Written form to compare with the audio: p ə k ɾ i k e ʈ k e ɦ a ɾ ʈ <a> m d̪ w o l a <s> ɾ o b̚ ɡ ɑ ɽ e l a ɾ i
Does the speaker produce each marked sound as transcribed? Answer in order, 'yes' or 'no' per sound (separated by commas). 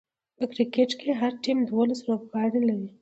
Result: no, yes